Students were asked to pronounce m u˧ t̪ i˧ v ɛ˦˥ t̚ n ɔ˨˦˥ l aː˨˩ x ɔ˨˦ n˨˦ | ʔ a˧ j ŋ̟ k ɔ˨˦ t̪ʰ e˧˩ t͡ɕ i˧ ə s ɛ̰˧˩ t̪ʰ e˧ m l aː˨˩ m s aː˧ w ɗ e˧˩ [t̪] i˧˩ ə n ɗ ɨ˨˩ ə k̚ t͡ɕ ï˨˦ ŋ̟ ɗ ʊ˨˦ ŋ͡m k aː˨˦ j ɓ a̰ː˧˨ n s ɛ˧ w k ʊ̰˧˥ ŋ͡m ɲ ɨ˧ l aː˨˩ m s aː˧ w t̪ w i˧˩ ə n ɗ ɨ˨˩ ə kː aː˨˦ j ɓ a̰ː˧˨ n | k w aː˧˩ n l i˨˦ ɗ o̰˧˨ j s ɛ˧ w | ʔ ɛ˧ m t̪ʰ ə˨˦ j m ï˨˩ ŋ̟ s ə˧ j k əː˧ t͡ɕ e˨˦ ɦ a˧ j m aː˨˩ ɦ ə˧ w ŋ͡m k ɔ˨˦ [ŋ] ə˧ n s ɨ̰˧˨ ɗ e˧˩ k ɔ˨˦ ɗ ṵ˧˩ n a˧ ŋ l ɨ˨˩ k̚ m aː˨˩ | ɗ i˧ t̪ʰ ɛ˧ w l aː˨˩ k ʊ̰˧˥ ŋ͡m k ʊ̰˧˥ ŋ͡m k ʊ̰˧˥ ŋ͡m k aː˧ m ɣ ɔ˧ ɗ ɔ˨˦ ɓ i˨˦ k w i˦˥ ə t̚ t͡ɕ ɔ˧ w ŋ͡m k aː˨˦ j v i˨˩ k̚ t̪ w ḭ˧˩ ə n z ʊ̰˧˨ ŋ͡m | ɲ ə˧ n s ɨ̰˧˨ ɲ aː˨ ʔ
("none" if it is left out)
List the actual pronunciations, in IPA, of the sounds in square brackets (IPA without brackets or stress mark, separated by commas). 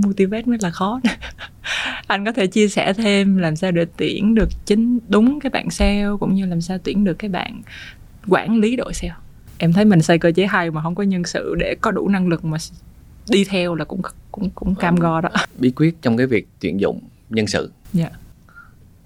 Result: t̪, ɲ